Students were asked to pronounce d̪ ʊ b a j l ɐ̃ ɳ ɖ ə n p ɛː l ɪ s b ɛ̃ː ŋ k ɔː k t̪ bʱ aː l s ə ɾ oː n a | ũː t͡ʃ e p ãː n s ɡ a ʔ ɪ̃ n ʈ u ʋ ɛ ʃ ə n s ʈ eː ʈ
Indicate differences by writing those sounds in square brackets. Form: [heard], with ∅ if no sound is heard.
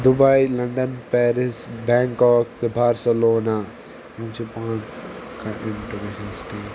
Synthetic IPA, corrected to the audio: d̪ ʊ b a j l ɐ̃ ɳ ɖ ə n p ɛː [ɾ] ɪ s b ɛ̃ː ŋ k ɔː k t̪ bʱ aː [ɾ] s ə [l] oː n a | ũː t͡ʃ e p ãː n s [k] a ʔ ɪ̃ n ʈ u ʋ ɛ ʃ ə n s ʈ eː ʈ